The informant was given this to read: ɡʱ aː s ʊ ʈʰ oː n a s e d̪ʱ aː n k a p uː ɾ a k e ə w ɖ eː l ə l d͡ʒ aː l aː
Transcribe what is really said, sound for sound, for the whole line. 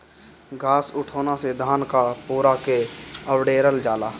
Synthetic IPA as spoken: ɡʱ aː s ʊ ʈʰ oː n a s e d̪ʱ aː n k a p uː ɾ a k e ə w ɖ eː ɾ ə l d͡ʒ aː l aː

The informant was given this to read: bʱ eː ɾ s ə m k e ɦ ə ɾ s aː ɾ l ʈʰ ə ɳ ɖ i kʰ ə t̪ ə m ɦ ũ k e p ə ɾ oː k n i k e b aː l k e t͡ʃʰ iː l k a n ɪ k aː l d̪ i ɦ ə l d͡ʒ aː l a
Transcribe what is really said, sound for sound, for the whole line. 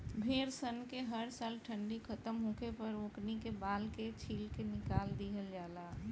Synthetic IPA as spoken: bʱ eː ɾ s ə n k e ɦ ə ɾ s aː l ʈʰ ə ɳ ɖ i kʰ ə t̪ ə m ɦ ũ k e p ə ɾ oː k n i k e b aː l k e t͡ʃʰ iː l k e n ɪ k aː l d̪ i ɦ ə l d͡ʒ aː l a

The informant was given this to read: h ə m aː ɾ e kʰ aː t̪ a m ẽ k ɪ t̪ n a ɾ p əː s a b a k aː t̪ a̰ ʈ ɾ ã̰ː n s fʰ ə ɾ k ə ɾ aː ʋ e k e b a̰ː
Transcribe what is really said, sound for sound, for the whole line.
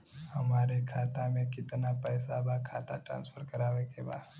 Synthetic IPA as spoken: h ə m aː ɾ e kʰ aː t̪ a m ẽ k ɪ t̪ n a p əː s a b a kʰ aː t̪ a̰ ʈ ɾ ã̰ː n s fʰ ə ɾ k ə ɾ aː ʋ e k e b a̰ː

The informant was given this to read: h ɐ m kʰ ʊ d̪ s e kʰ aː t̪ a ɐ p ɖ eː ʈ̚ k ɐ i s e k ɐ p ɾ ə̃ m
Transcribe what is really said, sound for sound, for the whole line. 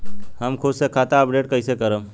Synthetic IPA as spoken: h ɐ m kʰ ʊ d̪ s e kʰ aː t̪ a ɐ p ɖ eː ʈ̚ k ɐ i s e k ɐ ɾ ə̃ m

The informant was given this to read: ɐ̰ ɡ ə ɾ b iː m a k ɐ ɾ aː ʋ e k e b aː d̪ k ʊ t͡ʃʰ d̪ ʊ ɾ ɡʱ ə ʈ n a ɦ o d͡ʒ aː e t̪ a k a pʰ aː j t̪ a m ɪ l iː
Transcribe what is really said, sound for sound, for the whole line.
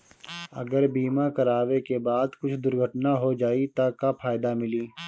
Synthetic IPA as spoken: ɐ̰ ɡ ə ɾ b iː m a k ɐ ɾ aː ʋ e k e b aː d̪ k ʊ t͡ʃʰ d̪ ʊ ɾ ɡʱ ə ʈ n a ɦ o d͡ʒ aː i t̪ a k a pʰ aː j d̪ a m ɪ l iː

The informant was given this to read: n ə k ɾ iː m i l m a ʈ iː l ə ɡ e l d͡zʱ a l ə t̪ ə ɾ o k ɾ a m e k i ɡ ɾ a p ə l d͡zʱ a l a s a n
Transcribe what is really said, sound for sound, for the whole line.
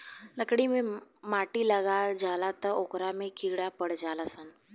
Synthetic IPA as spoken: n ə k ɽ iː m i m a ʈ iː l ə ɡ a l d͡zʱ a l a t̪ ə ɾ o k ɾ a m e k i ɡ ɽ a p ə ɽ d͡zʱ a l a s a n

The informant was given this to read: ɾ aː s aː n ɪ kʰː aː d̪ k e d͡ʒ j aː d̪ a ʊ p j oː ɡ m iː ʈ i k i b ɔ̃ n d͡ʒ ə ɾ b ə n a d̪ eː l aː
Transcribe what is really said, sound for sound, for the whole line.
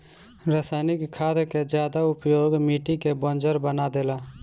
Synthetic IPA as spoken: ɾ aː s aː n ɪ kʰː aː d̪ k e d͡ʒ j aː d̪ a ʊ p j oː ɡ m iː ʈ i k e b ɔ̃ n d͡ʒ ə ɾ b ə n a d̪ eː l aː

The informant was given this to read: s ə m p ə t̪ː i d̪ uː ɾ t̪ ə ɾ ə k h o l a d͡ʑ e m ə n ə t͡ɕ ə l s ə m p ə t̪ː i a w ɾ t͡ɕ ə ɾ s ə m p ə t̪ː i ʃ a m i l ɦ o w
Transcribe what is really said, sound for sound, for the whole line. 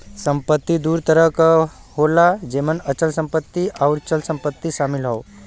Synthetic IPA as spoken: s ə m p ə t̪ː i d̪ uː ɾ t̪ ə ɾ ə k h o l a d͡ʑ e m ə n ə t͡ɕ ə l s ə m p ə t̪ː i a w ɾ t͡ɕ ə l s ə m p ə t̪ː i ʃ a m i l ɦ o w

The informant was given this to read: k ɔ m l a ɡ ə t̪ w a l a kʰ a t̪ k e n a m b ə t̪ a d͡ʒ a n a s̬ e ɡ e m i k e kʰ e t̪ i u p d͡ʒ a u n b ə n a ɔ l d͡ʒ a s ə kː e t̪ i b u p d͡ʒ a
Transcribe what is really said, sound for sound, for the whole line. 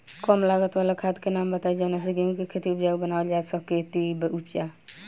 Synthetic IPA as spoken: k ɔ m l a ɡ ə t̪ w a l a kʰ a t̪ k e n a m b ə t̪ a d͡ʒ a n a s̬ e ɡ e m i k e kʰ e t̪ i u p d͡ʒ a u b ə n a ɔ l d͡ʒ a s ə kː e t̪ i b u p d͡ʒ a

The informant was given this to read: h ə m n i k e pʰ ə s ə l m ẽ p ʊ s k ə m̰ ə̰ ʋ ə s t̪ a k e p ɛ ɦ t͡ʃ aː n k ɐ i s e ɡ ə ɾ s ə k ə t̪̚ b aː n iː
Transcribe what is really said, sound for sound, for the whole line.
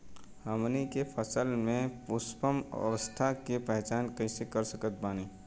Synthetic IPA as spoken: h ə m n i k e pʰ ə s ə l m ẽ p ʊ s p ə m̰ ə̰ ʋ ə s t̪ʰ a k e p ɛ ɦ t͡ʃ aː n k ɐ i s e k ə ɾ s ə k ə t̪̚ b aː n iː

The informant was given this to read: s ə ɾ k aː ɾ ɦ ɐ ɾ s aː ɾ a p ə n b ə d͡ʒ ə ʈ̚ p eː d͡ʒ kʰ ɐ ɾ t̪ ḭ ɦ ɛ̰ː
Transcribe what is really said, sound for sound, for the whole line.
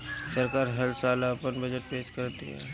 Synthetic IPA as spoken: s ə ɾ k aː ɾ ɦ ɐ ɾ s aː l a p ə n b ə d͡ʒ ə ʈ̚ p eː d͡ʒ k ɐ ɾ t̪ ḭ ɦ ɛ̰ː

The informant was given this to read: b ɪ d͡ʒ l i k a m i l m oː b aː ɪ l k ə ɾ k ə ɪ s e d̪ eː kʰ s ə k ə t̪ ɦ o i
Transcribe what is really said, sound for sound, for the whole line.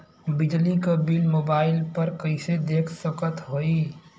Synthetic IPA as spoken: b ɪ d͡ʒ l i k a b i l m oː b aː ɪ l p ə ɾ k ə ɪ s e d̪ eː kʰ s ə k ə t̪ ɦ o i

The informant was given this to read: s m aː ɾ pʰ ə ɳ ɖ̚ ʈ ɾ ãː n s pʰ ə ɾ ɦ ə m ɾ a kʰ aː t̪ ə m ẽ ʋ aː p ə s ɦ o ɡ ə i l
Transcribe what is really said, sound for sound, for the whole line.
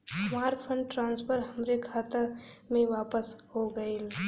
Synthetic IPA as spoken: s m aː ɾ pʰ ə ɳ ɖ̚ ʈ ɾ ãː n s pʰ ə ɾ ɦ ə m ɾ e kʰ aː t̪ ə m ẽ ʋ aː p ə s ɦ o ɡ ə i l

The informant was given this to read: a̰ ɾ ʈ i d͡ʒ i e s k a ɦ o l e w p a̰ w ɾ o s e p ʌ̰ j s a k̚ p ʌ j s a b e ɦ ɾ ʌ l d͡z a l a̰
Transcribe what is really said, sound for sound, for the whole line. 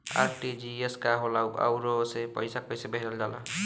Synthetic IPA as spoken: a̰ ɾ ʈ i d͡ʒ i e s k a ɦ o l a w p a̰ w ɾ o s e p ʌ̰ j s a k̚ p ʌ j s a b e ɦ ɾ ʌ l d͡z a l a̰

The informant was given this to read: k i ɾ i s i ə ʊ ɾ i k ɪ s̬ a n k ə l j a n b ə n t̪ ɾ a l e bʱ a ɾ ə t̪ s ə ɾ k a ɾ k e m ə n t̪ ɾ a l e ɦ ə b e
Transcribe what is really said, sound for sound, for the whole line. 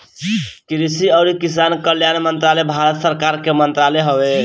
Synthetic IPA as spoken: k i ɾ i s i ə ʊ ɾ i k i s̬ a n k ə l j a n m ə n t̪ ɾ a l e bʱ a ɾ ə t̪ s ə ɾ k a ɾ k e m ə n t̪ ɾ a l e ɦ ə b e

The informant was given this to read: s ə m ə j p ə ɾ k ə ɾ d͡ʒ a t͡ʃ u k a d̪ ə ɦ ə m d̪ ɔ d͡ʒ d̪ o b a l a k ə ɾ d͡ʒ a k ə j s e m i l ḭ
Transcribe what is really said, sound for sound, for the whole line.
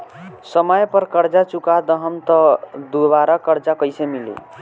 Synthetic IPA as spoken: s ə m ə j p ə ɾ k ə ɾ d͡ʒ a t͡ʃ u k a d̪ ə ɦ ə m t̪ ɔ d̪ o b a ɾ a k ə ɾ d͡ʒ a k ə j s e m i l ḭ

